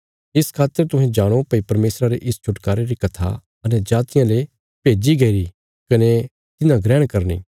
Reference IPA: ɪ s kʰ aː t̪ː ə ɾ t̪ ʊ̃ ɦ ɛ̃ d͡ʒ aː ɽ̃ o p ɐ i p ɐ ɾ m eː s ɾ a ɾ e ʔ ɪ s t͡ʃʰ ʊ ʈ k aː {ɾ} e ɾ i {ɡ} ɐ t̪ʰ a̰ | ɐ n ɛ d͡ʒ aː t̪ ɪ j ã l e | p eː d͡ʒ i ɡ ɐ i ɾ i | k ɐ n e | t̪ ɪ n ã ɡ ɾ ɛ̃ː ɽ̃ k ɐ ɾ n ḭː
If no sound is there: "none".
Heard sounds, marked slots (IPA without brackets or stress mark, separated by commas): ɾ, k